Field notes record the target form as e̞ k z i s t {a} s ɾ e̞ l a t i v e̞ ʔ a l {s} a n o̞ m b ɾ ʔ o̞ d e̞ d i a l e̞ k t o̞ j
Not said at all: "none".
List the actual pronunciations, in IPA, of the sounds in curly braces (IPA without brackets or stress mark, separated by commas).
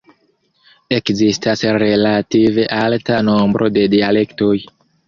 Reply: a, t